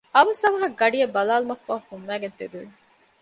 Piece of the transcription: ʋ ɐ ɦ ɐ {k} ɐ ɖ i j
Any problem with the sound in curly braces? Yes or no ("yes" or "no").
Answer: yes